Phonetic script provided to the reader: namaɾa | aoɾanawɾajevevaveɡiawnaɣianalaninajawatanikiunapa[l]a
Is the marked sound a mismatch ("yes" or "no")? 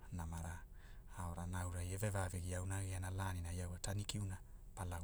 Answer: no